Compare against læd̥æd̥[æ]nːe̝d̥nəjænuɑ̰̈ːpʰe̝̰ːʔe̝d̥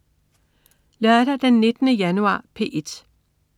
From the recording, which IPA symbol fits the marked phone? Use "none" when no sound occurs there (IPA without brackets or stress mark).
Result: e